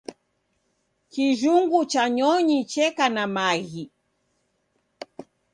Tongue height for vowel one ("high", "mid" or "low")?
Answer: high